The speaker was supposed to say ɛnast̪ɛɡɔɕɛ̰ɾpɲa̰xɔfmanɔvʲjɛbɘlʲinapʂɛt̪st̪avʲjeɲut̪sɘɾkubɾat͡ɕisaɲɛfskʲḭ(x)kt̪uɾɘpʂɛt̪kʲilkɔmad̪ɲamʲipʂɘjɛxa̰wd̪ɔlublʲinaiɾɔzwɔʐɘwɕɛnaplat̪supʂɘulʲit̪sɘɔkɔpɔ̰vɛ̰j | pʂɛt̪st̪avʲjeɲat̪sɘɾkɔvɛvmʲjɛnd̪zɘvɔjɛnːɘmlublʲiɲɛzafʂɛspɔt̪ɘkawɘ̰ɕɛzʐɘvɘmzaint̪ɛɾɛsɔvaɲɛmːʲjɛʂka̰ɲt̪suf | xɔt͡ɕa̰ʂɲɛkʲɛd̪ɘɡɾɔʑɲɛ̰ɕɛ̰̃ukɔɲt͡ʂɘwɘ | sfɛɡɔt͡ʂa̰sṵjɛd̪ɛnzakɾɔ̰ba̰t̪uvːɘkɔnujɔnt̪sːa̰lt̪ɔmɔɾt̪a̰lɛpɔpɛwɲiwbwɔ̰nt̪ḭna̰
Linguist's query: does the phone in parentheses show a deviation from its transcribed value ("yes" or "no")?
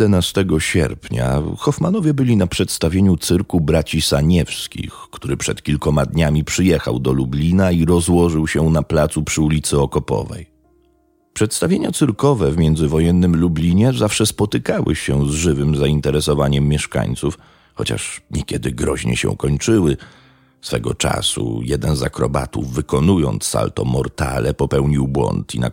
no